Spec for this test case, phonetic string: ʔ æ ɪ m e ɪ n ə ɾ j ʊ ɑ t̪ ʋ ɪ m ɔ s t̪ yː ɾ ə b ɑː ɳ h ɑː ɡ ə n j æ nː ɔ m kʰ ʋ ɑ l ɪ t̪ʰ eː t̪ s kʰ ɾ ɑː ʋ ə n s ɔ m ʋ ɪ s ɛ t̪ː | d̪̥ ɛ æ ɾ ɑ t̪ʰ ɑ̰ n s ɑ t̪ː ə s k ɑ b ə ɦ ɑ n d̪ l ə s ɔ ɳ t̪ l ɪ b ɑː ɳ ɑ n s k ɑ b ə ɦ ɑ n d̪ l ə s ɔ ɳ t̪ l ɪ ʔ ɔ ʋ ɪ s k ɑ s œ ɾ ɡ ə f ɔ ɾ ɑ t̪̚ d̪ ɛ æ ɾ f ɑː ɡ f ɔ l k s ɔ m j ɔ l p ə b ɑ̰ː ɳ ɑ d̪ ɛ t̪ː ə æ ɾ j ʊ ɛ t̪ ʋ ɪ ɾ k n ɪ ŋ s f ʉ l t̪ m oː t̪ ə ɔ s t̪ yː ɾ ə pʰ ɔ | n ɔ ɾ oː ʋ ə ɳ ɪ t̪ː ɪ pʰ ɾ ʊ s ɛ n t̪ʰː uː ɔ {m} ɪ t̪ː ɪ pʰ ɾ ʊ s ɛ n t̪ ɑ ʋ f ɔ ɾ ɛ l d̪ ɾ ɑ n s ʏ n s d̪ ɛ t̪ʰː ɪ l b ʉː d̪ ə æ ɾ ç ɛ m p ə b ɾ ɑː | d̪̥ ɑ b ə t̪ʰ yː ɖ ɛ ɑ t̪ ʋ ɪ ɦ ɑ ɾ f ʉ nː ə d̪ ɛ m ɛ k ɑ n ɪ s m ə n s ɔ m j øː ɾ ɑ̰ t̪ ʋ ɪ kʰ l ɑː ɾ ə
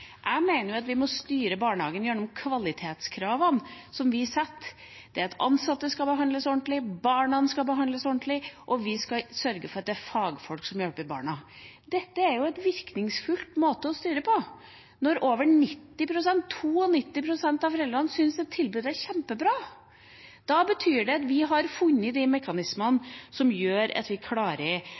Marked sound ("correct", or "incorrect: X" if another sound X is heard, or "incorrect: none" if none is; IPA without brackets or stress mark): incorrect: n